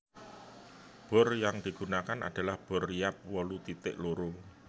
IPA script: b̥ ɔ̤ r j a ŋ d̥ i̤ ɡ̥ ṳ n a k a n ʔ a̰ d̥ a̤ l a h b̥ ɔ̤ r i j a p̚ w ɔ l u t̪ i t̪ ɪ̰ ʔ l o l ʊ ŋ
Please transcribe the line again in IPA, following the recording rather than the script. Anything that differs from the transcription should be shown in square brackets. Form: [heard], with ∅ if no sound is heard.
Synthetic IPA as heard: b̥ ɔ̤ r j a ŋ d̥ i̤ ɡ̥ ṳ n a k a n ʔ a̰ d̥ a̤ l a h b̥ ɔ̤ r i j a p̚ w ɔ l u t̪ i t̪ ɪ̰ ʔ l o [ɾ] ʊ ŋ